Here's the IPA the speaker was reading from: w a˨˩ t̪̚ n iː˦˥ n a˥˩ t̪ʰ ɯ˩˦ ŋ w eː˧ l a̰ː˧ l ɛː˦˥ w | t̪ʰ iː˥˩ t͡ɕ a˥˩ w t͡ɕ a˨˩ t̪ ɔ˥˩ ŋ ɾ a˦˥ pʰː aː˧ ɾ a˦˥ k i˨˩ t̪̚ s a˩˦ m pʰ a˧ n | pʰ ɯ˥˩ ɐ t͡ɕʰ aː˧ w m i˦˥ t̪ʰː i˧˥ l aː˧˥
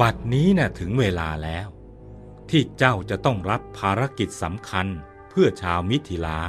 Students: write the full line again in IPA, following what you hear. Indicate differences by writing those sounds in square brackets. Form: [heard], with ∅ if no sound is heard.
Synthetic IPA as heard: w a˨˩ t̪̚ n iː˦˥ n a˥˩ t̪ʰ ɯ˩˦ ŋ w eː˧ l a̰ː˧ l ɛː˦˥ w | t̪ʰ iː˥˩ t͡ɕ a˥˩ w t͡ɕ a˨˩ t̪ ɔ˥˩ ŋ ɾ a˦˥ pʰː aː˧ ɾ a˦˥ k i˨˩ t̪̚ s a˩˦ m [kʰ] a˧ n | pʰ ɯ˥˩ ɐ t͡ɕʰ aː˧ w m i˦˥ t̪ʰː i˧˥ l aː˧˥